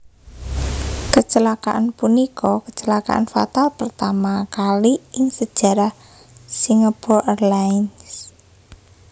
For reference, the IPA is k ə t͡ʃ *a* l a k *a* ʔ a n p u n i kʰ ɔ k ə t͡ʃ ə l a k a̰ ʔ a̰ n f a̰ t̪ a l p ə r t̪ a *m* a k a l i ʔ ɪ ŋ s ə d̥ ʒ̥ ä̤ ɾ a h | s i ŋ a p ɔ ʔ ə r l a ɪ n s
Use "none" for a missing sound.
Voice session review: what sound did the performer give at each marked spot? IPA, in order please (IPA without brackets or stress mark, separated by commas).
ə, a, m